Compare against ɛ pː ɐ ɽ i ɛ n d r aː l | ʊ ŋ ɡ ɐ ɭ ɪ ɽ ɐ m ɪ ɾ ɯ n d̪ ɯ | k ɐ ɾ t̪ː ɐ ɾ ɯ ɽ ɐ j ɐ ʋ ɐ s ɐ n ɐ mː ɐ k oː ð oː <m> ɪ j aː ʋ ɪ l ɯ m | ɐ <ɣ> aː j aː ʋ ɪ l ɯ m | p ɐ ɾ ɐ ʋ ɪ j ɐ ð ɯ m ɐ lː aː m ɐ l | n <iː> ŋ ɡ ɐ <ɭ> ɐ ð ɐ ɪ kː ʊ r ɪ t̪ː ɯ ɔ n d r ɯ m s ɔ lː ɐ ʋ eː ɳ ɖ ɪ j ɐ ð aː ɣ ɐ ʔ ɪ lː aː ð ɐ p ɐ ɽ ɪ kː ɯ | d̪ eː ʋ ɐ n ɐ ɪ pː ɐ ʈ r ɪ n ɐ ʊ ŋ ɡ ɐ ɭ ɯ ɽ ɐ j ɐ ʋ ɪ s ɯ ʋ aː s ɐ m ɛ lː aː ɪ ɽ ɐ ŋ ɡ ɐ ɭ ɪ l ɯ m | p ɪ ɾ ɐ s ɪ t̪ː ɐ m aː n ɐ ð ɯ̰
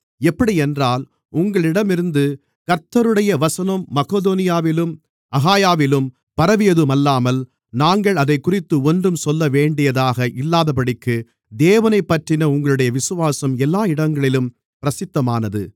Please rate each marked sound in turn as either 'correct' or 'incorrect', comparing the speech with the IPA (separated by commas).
incorrect, correct, incorrect, correct